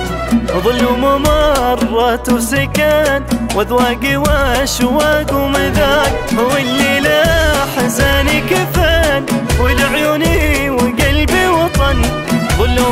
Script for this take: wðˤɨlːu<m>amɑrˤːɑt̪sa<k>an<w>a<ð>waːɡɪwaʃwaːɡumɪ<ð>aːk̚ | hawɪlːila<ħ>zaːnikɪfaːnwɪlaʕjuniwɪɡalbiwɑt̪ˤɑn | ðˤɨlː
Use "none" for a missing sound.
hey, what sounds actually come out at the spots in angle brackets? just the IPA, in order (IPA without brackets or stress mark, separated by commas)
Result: m, k, w, ð, ð, ħ